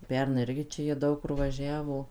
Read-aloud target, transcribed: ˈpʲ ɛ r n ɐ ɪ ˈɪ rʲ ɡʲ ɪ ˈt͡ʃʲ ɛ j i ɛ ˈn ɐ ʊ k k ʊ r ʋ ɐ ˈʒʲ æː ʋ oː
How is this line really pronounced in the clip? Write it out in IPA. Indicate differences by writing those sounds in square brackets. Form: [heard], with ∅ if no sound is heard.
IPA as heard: ˈpʲ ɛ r n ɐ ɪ ˈɪ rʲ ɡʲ ɪ ˈt͡ʃʲ ɛ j i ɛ [ˈd] ɐ ʊ k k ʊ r ʋ ɐ ˈʒʲ æː ʋ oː